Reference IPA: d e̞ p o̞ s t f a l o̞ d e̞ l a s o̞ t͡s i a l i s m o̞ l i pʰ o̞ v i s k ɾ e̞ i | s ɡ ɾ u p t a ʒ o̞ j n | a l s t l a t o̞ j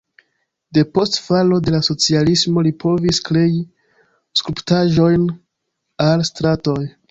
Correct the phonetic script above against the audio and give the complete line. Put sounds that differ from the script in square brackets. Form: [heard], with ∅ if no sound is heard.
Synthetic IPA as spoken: d e̞ p o̞ s t f a l o̞ d e̞ l a s o̞ t͡s i a l i s m o̞ l i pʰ o̞ v i s k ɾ e̞ i | s [k] ɾ u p t a ʒ o̞ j n | a l s t [ɾ] a t o̞ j